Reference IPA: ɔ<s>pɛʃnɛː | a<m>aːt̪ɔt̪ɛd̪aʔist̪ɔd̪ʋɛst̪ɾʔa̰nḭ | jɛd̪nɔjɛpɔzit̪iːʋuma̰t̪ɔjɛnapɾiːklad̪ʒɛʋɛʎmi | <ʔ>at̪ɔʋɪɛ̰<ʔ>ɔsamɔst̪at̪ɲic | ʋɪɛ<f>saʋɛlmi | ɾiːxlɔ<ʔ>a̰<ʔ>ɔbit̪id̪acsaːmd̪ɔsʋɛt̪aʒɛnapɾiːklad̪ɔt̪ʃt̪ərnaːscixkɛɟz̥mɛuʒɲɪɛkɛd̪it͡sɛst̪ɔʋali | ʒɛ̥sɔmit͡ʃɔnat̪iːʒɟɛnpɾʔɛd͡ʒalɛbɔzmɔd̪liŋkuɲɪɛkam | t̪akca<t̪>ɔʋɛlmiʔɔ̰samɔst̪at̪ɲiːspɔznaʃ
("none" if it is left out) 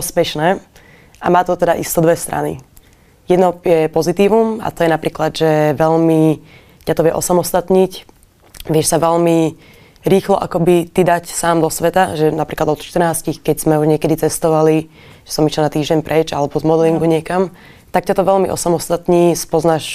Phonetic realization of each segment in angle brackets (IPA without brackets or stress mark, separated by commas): s, m, c, ʔ, ʃ, ʔ, k, t̪